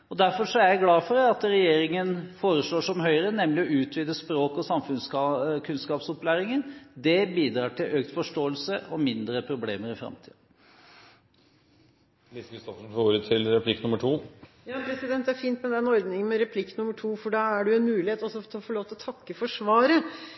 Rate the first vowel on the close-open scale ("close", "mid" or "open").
mid